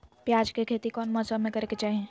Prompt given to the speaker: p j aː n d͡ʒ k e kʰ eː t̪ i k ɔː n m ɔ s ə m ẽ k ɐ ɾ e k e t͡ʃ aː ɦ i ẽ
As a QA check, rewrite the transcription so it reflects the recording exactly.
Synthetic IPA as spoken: p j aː d͡ʒ k e kʰ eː t̪ i k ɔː n m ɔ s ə m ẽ k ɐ ɾ e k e t͡ʃ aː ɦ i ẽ